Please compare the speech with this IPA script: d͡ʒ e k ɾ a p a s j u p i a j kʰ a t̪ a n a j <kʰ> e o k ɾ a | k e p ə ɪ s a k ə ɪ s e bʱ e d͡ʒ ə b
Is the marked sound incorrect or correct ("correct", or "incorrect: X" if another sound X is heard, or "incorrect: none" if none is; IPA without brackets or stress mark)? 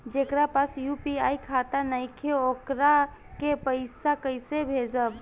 correct